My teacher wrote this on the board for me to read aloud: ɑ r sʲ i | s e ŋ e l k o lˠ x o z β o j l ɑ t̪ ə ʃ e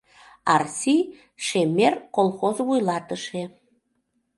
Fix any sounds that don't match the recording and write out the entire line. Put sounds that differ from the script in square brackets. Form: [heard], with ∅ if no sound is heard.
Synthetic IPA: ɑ r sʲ i | [ʃ] e [m] e [r] k o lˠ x o z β [u] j l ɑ t̪ ə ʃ e